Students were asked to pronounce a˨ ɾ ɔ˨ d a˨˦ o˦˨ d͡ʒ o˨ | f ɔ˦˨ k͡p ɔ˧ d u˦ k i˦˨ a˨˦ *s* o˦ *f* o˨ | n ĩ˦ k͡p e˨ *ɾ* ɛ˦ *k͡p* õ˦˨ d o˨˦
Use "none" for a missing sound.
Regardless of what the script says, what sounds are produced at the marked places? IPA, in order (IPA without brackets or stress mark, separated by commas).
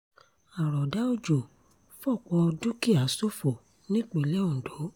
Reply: s, f, l, none